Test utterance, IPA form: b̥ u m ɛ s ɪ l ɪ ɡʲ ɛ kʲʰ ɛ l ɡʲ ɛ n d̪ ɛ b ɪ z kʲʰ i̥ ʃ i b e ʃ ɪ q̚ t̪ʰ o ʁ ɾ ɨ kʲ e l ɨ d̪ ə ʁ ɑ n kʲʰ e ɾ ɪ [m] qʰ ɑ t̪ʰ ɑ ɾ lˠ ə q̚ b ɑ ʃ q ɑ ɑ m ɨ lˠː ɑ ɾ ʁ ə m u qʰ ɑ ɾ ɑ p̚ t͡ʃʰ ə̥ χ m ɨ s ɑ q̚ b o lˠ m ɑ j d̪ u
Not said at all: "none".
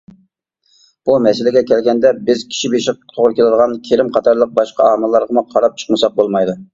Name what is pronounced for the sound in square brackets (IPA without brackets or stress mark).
m